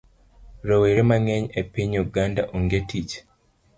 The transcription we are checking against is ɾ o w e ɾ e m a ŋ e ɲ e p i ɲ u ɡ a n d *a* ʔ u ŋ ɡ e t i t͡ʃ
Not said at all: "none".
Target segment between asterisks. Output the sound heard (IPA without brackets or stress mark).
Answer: a